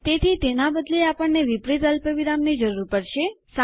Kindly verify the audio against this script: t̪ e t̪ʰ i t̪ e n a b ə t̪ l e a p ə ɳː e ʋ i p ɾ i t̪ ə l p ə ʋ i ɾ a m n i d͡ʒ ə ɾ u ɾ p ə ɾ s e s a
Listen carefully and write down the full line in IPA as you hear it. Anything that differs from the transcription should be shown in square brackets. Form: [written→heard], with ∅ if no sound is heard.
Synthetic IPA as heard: t̪ e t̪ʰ i t̪ e n a b ə [t̪→d̪] l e a p ə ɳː e ʋ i p ɾ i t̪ ə l p ə ʋ i ɾ a m n i d͡ʒ ə ɾ u ɾ p ə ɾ [s→ʃ] e s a